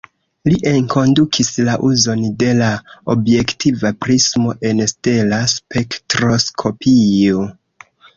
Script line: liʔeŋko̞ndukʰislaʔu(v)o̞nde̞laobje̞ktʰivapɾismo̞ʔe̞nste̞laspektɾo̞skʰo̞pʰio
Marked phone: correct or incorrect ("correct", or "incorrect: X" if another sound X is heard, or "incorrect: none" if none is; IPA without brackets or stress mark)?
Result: incorrect: z